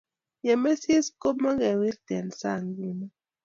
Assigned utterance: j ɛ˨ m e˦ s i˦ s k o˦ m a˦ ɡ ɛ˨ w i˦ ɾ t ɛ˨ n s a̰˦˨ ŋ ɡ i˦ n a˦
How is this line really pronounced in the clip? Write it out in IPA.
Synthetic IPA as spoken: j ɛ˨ m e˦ s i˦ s k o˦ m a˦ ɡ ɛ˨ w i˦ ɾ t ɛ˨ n s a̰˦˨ ŋ ɡ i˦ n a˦